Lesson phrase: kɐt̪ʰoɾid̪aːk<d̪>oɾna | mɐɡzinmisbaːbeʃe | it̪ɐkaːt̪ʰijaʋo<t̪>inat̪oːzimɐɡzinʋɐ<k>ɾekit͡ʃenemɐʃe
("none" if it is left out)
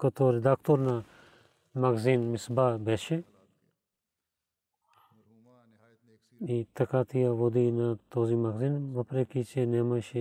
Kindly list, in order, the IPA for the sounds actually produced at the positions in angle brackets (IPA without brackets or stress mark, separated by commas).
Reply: t̪, d̪, p